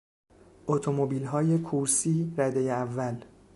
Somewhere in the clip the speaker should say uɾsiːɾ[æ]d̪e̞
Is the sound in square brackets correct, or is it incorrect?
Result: correct